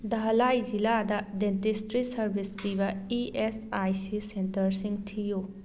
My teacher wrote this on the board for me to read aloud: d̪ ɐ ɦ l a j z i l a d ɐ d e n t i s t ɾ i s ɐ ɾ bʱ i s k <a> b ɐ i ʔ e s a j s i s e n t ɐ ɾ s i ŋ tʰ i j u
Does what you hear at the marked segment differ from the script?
yes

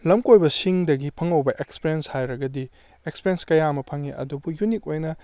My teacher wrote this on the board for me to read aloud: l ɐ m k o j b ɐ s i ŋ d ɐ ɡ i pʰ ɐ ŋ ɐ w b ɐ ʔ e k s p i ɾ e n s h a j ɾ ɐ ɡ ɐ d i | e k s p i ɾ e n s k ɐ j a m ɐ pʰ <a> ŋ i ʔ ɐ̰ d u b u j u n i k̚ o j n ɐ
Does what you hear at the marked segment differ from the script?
yes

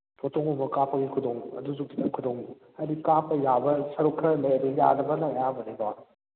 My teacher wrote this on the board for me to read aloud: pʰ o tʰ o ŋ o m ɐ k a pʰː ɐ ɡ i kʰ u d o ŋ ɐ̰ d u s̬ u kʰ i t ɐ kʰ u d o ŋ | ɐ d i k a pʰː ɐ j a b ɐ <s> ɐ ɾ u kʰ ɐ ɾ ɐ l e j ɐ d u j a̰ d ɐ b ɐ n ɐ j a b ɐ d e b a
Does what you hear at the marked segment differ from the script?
no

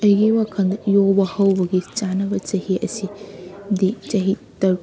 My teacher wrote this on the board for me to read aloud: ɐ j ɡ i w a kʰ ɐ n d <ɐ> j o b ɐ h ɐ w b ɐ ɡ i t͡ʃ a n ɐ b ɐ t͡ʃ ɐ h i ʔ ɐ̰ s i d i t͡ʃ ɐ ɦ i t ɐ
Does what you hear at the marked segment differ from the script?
no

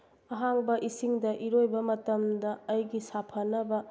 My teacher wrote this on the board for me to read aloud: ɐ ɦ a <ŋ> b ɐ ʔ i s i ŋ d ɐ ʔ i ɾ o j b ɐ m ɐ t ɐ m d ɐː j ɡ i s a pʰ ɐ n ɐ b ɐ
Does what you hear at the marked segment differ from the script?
no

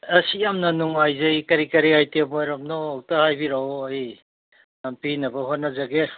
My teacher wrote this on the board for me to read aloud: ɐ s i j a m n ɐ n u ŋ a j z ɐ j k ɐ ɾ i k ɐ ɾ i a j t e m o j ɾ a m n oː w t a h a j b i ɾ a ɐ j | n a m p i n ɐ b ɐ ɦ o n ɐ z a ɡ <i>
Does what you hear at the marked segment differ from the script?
yes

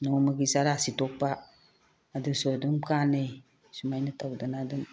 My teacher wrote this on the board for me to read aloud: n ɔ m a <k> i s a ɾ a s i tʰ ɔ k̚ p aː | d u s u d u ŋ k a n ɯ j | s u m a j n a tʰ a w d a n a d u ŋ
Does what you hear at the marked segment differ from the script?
yes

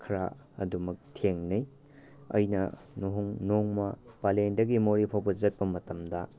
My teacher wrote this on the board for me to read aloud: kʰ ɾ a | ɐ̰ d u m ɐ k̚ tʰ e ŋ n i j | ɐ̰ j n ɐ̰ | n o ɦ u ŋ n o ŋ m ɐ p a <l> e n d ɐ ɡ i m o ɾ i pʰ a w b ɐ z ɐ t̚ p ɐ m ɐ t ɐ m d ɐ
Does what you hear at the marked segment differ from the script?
no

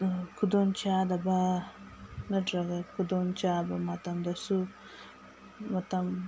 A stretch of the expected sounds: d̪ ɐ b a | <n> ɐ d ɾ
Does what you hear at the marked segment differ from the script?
no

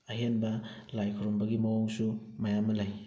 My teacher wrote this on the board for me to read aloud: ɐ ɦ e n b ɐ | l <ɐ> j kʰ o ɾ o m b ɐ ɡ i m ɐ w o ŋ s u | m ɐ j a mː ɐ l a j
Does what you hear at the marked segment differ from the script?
yes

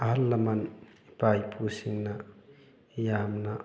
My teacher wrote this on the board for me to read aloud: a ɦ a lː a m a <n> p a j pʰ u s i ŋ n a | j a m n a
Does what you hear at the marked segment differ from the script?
no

